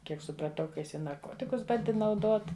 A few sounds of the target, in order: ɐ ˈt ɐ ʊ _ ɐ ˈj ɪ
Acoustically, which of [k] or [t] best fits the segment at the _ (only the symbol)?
k